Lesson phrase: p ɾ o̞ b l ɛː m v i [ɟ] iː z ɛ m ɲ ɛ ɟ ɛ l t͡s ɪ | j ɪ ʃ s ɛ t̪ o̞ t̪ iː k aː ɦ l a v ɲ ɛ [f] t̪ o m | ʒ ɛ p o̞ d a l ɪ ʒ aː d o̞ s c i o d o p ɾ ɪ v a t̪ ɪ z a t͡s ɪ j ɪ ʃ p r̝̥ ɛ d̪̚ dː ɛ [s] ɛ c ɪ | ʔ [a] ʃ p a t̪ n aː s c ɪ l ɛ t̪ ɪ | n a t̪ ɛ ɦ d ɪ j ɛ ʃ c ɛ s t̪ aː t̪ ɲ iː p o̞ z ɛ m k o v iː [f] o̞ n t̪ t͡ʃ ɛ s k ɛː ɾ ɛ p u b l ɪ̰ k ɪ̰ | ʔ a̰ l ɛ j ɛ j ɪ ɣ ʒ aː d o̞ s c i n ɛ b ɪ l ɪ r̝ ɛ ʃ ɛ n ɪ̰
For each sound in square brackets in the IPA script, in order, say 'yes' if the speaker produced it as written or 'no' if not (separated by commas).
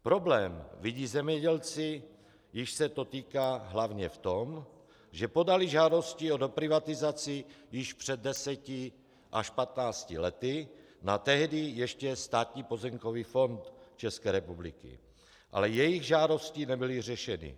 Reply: yes, yes, yes, yes, yes